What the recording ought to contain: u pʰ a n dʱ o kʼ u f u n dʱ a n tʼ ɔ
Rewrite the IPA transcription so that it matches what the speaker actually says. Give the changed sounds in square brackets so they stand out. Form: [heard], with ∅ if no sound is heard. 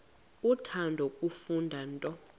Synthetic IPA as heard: u [tʰ] a n dʱ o kʼ u f u n dʱ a n tʼ ɔ